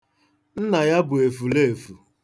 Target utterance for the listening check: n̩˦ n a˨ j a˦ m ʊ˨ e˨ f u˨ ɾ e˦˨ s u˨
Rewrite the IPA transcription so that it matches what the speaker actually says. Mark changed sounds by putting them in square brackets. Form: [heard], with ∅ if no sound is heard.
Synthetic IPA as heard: n̩˦ n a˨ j a˦ [b] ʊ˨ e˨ f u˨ [l] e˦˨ [f] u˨

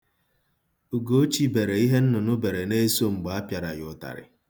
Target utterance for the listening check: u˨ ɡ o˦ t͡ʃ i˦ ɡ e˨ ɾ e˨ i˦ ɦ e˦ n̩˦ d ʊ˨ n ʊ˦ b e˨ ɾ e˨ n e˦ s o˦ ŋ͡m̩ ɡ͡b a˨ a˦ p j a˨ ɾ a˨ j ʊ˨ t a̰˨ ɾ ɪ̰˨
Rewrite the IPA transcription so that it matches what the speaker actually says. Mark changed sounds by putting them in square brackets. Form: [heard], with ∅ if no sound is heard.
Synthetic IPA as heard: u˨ ɡ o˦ t͡ʃ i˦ [b] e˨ ɾ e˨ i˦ ɦ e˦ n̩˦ [n] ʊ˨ n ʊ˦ b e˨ ɾ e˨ n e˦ s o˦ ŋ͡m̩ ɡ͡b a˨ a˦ p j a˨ ɾ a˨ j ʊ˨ t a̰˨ ɾ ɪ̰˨

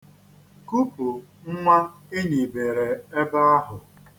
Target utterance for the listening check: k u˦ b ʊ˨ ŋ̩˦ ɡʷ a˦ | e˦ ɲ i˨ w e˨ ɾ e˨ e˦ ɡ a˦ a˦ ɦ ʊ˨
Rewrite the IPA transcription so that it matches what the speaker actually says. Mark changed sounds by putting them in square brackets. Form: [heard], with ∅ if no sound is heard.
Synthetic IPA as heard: k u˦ [p] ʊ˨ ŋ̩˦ [ŋʷ] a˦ | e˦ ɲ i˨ [b] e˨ ɾ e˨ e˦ [b] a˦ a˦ ɦ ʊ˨

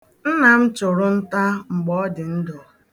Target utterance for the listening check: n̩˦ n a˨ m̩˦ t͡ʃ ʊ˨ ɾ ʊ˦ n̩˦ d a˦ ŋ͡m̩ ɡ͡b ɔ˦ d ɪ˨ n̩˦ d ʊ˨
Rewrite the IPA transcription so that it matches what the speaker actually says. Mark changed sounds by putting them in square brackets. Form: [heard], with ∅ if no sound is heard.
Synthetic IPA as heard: n̩˦ n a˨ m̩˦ t͡ʃ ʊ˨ ɾ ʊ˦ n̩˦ [t] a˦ ŋ͡m̩ ɡ͡b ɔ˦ d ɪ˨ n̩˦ d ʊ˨

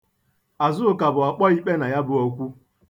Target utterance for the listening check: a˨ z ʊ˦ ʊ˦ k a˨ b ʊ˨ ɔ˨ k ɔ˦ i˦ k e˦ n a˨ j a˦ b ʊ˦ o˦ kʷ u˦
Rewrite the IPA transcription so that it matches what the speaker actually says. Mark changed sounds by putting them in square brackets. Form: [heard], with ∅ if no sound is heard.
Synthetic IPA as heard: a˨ z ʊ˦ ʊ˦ k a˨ b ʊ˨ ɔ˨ [k͡p] ɔ˦ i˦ [k͡p] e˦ n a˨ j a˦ b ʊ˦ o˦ kʷ u˦

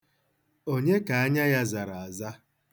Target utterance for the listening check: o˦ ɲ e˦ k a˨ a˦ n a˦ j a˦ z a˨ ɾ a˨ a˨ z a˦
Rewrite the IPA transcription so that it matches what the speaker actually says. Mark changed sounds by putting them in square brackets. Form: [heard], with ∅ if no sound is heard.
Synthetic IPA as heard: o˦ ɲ e˦ k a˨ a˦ [ɲ] a˦ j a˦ z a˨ ɾ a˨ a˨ z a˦

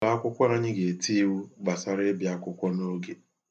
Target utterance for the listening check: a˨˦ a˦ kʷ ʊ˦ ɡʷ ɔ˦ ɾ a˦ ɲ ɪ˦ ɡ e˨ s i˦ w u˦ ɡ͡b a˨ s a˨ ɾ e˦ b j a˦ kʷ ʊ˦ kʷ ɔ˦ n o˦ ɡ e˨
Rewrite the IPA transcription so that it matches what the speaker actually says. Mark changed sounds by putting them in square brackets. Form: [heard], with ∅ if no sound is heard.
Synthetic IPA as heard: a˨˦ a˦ kʷ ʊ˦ [kʷ] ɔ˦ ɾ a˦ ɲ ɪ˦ ɡ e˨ [t] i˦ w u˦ ɡ͡b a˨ s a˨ ɾ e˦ b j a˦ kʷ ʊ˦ kʷ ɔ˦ n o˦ ɡ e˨

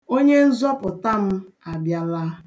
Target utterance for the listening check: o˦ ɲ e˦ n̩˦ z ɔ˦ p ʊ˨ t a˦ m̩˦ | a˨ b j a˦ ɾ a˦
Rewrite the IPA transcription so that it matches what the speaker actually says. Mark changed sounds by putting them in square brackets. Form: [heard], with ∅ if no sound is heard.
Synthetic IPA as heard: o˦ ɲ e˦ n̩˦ z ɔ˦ p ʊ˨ t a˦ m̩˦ | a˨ b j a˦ [l] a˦

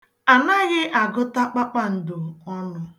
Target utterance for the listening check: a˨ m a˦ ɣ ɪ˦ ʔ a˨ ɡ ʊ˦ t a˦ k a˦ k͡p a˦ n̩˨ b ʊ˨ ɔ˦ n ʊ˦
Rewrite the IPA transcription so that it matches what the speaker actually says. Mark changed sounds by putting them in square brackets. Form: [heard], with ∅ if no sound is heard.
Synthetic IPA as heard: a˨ [n] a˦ ɣ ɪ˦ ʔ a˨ ɡ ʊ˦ t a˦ [k͡p] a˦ k͡p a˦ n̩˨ [d] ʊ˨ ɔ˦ n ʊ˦

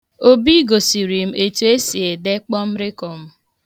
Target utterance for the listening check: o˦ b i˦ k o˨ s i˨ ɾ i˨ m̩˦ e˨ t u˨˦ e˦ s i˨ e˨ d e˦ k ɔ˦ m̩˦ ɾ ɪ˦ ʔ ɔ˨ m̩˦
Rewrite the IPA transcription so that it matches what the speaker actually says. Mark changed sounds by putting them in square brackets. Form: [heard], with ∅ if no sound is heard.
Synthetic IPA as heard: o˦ b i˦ [ɡ] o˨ s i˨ ɾ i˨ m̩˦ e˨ t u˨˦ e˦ s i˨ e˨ d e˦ [k͡p] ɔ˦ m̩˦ ɾ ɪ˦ [k] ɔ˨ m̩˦

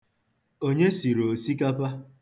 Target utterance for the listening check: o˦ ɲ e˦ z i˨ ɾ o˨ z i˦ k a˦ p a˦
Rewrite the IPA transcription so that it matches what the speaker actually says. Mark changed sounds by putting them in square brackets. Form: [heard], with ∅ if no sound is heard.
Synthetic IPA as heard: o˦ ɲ e˦ [s] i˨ ɾ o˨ [s] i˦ k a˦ p a˦

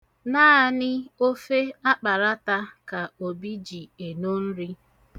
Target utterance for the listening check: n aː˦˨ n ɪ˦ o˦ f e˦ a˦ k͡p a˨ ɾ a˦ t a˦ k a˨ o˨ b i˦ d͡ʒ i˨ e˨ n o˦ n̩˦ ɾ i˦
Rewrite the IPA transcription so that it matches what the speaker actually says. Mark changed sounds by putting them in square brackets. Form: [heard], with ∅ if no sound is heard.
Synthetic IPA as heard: n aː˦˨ n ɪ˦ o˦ f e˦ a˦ k͡p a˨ ɾ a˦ t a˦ k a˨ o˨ b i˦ d͡ʒ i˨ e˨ n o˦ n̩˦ ɾ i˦

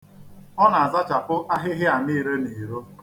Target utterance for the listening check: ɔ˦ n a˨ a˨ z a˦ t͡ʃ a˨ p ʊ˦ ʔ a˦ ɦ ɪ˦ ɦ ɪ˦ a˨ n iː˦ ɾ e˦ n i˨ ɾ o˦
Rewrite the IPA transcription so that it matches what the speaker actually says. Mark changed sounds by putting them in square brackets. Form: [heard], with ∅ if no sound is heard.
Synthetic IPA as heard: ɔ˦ n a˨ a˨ z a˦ t͡ʃ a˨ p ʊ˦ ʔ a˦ ɦ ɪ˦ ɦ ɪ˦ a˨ n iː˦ ɾ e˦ n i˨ ɾ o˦

